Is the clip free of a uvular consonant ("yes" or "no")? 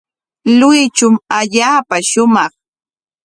no